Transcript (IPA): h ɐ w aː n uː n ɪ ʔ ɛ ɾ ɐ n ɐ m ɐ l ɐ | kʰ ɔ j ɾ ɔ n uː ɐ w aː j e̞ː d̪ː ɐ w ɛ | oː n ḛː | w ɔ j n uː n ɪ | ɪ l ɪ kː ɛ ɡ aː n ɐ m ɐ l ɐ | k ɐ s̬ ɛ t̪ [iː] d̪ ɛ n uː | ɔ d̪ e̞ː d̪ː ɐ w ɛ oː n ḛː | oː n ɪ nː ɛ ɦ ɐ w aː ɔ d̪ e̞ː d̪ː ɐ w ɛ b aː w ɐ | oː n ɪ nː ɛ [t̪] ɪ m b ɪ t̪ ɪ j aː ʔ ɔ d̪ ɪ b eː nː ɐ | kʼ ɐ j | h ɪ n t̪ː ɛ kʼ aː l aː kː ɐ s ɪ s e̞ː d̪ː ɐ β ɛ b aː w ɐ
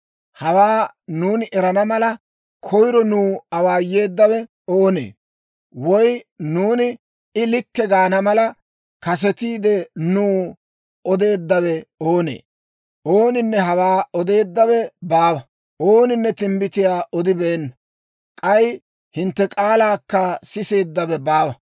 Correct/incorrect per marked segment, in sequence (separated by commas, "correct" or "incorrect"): correct, correct